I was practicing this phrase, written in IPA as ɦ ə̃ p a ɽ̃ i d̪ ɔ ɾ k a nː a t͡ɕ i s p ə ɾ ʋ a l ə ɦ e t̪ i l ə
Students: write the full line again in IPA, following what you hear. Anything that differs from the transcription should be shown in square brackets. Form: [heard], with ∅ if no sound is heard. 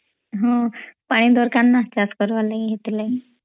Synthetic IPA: ɦ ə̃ p a ɽ̃ i d̪ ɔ ɾ k a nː a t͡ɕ [a] s [k] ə ɾ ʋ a l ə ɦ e t̪ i l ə